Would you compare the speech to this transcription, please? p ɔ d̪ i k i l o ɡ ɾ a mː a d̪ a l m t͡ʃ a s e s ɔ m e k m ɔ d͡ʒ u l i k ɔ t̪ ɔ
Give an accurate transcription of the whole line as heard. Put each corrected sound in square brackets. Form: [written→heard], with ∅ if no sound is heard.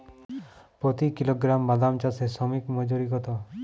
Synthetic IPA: p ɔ [d̪→t̪] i k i l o ɡ ɾ a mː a d̪ a [l→∅] m t͡ʃ a s e s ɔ m [e→i] k m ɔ d͡ʒ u [l→ɾ] i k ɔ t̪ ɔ